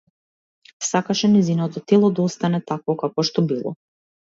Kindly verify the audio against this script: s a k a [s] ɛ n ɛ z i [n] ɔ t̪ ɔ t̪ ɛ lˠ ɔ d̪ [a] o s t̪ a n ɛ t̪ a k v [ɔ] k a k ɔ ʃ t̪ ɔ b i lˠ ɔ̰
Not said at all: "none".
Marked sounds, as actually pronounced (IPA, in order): ʃ, n, a, ɔ

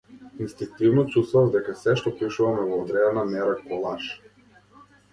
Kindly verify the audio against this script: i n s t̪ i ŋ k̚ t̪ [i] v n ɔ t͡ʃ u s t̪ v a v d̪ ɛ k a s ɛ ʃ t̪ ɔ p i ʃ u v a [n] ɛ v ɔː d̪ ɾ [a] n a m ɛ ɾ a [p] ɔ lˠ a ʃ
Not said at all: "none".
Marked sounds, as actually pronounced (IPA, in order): i, m, ɛ, k

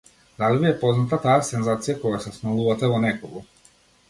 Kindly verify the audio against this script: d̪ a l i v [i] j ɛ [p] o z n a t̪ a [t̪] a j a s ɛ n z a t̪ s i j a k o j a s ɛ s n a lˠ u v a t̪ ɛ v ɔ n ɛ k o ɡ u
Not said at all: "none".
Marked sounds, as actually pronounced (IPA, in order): i, p, t̪

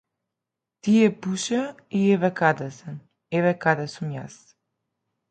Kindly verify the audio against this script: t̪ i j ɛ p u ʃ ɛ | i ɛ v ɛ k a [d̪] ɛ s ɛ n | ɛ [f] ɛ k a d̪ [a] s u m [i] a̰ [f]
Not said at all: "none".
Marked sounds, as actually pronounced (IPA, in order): d̪, v, ɛ, j, s

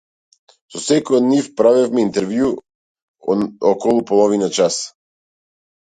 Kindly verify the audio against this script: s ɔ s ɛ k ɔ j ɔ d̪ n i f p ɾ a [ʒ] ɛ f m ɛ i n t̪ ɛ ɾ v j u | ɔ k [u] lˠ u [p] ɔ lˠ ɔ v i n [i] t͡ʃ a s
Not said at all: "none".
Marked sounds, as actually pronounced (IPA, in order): v, ɔ, p, a

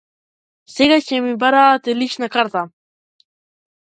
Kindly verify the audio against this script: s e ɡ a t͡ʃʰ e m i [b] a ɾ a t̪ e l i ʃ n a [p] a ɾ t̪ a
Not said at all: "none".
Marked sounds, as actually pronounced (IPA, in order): b, k

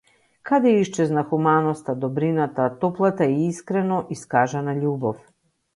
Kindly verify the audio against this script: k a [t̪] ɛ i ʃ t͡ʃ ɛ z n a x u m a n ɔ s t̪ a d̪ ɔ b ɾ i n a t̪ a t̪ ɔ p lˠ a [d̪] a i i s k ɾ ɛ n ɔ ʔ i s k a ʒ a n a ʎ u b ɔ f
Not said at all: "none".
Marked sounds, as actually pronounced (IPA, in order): d̪, t̪

